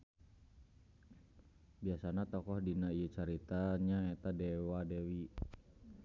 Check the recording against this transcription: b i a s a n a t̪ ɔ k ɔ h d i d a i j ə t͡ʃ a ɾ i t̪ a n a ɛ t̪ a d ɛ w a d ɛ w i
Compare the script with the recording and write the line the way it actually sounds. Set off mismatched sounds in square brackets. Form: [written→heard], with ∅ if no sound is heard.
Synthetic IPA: b i a s a n a t̪ ɔ k ɔ h d i [d→n] a i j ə t͡ʃ a ɾ i t̪ a [n→ɲ] a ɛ t̪ a d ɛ w a d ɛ w i